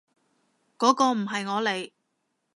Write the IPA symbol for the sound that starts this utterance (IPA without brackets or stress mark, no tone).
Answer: k